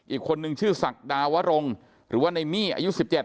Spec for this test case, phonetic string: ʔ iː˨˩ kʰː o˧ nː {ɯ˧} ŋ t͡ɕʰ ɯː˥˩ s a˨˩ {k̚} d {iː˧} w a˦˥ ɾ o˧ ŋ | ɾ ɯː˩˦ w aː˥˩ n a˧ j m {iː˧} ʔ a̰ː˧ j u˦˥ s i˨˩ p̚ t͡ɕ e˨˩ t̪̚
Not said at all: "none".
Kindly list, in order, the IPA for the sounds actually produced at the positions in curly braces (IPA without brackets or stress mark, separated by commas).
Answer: ɯ˧, k̚, aː˧, iː˥˩